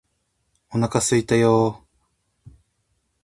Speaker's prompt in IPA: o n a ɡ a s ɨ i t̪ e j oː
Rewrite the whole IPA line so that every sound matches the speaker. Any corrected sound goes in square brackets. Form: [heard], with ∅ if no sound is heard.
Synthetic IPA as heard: o n a [k] a s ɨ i t̪ [a] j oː